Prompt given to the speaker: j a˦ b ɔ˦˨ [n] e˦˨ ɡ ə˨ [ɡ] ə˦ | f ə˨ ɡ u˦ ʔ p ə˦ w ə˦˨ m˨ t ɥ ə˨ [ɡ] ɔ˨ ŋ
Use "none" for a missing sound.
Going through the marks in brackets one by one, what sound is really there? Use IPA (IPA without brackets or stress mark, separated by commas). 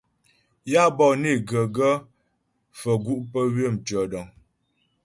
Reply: n, ɡ, d